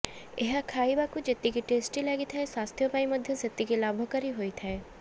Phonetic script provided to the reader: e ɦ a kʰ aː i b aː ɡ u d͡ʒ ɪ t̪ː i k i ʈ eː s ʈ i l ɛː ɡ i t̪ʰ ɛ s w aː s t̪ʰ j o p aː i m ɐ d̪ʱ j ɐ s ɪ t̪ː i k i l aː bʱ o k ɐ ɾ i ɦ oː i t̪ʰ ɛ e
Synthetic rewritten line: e ɦ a kʰ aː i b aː k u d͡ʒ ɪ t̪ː i k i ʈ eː s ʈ i l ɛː ɡ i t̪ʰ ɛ s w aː s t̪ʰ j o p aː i m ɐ d̪ʱ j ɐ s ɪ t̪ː i k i l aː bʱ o k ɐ ɾ i ɦ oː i t̪ʰ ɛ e